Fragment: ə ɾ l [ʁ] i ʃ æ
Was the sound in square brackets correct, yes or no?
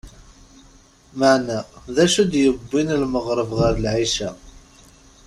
no